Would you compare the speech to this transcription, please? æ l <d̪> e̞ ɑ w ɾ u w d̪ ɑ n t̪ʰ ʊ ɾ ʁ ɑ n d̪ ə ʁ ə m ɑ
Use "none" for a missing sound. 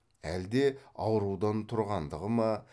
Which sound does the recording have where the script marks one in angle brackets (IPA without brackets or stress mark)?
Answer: d̪